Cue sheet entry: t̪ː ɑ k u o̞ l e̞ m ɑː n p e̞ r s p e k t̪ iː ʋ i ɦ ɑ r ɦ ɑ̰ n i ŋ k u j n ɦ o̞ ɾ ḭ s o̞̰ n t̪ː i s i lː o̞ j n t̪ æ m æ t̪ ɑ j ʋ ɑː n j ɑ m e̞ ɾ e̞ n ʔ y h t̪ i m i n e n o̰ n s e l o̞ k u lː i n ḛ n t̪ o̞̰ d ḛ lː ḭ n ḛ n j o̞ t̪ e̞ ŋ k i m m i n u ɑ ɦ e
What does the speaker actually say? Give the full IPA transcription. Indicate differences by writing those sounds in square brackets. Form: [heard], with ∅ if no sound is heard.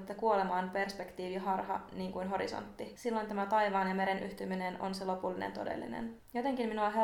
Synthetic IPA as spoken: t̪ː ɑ k u o̞ l e̞ m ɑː n p e̞ r s p e k t̪ iː ʋ i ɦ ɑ r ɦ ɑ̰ n [iː] ŋ k u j n ɦ o̞ ɾ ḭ s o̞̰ n t̪ː i s i lː o̞ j n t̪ æ m æ t̪ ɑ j ʋ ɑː n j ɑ m e̞ ɾ e̞ n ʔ y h t̪ [y] m i n e n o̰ n s e l o̞ [p] u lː i n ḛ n t̪ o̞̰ d ḛ lː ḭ n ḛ n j o̞ t̪ e̞ ŋ k i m m i n u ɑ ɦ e